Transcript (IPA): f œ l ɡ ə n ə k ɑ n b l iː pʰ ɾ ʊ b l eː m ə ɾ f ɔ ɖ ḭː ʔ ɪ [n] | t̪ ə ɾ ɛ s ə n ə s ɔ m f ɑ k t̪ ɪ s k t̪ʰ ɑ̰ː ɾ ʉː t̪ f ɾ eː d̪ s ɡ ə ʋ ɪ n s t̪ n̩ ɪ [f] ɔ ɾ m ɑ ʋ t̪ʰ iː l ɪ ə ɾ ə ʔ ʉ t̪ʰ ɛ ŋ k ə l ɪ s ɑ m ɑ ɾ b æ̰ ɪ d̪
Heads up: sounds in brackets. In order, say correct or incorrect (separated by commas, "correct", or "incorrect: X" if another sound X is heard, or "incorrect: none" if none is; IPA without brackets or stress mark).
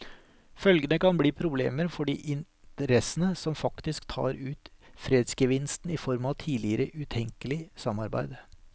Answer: correct, correct